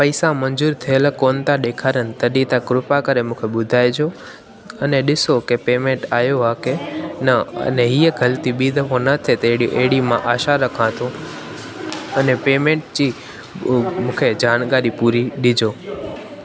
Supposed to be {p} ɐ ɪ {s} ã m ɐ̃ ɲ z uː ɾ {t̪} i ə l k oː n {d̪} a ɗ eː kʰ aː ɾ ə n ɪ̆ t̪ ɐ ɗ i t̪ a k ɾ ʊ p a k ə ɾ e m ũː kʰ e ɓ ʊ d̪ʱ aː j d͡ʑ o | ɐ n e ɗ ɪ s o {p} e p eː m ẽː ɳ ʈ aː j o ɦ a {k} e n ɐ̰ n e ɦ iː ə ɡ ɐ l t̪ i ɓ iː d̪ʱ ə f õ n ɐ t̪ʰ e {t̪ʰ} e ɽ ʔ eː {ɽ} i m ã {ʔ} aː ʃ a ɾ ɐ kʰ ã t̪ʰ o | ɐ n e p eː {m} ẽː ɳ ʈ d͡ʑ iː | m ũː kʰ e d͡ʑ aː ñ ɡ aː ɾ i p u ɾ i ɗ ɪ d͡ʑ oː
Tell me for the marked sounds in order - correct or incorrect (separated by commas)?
correct, correct, incorrect, incorrect, incorrect, correct, incorrect, correct, correct, correct